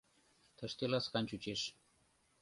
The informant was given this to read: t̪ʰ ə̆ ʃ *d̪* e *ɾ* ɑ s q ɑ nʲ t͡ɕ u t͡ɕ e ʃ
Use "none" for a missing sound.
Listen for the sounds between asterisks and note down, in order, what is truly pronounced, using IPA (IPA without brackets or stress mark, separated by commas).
t̪, l